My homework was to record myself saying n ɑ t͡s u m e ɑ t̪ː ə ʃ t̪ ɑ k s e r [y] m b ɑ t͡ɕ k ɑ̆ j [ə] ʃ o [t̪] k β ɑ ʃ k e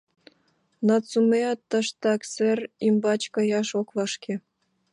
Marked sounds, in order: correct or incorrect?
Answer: incorrect: i, incorrect: ɑ, incorrect: none

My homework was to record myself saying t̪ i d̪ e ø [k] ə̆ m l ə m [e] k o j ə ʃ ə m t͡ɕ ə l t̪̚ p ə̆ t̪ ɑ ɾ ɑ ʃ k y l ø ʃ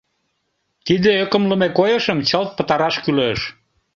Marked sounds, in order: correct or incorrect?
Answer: correct, correct

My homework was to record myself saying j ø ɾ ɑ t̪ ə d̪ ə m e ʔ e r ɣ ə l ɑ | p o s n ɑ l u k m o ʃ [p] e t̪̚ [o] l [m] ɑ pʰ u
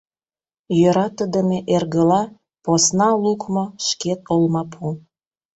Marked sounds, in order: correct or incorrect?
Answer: incorrect: k, correct, correct

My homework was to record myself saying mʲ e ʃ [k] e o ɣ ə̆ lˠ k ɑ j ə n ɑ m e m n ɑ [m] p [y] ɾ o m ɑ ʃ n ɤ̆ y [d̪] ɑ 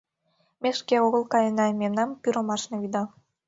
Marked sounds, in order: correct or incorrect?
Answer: correct, correct, correct, correct

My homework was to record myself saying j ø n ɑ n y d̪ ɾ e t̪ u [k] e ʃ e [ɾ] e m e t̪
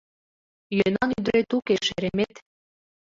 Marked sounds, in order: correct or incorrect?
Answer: correct, correct

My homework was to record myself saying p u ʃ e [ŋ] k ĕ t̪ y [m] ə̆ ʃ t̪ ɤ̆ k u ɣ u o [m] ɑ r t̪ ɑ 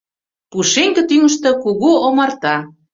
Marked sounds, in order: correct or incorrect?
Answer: correct, incorrect: ŋ, correct

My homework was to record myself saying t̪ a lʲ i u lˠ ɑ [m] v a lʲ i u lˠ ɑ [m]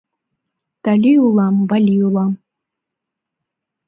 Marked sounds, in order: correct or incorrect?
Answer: correct, correct

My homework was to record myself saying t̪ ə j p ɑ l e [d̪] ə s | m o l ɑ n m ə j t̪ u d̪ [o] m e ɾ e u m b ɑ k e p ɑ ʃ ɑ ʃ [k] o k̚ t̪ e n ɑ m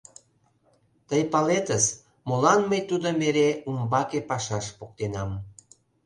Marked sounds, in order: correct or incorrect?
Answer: incorrect: t̪, correct, incorrect: p

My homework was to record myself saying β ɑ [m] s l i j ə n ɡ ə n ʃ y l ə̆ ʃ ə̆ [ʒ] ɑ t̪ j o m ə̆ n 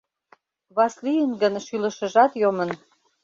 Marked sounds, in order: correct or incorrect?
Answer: incorrect: none, correct

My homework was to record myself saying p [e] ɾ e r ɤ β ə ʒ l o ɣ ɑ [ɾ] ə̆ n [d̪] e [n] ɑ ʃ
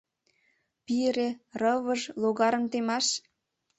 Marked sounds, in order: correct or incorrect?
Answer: incorrect: i, correct, incorrect: t̪, incorrect: m

